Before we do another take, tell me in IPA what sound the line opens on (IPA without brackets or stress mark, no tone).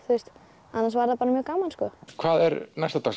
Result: θ